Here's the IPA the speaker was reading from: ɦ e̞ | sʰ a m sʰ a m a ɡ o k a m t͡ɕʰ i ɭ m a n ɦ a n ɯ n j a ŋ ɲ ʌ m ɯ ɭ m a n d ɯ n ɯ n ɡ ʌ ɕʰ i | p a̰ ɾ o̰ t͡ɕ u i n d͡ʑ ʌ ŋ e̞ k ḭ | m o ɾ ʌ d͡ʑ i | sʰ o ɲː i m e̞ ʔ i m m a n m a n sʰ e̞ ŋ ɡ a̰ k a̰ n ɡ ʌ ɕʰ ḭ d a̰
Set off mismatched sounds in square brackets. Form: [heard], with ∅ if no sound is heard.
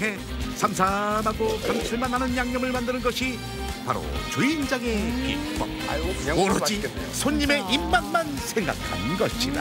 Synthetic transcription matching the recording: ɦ e̞ | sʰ a m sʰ a m a ɡ o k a m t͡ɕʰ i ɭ m a n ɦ a n ɯ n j a ŋ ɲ ʌ m ɯ ɭ m a n d ɯ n ɯ n ɡ ʌ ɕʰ i | p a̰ ɾ o̰ t͡ɕ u i n d͡ʑ [a] ŋ e̞ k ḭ | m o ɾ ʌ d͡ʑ i | sʰ o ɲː i m e̞ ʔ i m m a n m a n sʰ e̞ ŋ ɡ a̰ [kʰ] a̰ n ɡ ʌ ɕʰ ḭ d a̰